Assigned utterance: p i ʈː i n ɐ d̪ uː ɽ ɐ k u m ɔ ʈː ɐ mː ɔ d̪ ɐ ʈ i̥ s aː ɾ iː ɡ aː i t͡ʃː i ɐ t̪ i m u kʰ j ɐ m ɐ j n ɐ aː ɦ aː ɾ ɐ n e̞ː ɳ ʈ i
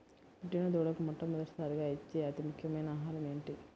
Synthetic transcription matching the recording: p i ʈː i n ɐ d̪ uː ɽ ɐ k u m ɔ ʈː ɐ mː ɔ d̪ ɐ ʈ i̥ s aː ɾ i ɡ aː i t͡ʃː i ɐ t̪ i m u kʰ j ɐ m ɐ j n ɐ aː ɦ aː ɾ ɐ m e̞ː ɳ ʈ i